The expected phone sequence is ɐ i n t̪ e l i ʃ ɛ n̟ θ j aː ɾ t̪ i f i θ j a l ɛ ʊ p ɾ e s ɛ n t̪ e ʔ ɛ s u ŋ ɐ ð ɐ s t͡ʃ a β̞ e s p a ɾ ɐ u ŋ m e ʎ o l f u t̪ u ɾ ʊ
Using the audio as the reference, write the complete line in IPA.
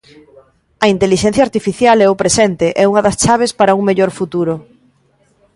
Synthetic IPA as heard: ɐ i n t̪ e l i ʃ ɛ n̟ θ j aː ɾ t̪ i f i θ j a l ɛ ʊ p ɾ e s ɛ n t̪ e ʔ ɛ u ŋ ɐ ð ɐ s t͡ʃ a β̞ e s p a ɾ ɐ u ŋ m e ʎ o ɾ f u t̪ u ɾ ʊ